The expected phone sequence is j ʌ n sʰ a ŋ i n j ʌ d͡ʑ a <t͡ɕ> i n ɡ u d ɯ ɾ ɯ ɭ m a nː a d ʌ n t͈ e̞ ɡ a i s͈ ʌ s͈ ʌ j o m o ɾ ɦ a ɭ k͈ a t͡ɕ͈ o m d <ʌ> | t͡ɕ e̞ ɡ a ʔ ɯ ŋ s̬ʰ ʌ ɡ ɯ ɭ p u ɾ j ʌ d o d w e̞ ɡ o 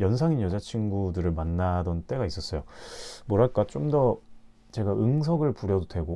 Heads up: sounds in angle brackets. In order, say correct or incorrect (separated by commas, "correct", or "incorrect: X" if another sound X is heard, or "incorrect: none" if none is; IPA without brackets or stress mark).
incorrect: t͡ɕʰ, correct